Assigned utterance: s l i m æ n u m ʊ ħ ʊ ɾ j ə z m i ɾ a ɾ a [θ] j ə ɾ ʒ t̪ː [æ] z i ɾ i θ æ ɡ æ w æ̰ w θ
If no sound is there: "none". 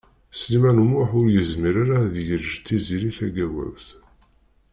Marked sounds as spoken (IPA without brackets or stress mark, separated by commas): ð, i